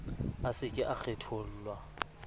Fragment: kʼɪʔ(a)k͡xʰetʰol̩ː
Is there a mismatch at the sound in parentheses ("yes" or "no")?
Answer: no